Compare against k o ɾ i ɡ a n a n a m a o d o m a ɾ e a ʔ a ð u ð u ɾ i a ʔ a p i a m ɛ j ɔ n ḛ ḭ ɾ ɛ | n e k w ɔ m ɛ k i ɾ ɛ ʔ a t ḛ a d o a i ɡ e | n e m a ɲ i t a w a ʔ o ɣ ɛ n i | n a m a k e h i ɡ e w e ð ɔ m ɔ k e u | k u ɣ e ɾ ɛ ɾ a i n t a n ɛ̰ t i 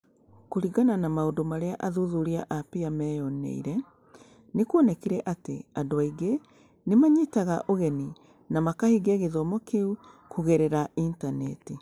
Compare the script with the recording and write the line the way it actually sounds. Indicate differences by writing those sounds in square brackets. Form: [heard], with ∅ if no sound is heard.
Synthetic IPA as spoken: k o ɾ i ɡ a n a n a m a o d o m a ɾ e a ʔ a ð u ð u ɾ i a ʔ a p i a m ɛ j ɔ n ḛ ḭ ɾ ɛ | n e k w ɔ [n] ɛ k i ɾ ɛ ʔ a t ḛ a d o a i ɡ e | n e m a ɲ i t a [ɣ] a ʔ o ɣ ɛ n i | n a m a k [a] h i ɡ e [ɣ] e ð ɔ m ɔ k e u | k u ɣ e ɾ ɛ ɾ a i n t a n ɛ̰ t i